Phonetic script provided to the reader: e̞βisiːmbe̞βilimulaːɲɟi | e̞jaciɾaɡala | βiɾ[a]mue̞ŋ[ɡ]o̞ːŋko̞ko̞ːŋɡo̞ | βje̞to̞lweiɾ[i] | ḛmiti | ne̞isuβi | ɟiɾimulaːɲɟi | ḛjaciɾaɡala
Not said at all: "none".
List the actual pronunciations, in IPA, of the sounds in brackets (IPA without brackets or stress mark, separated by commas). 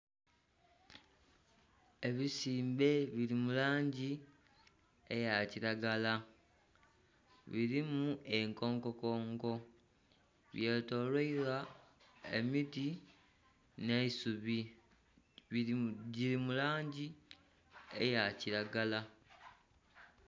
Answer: i, k, a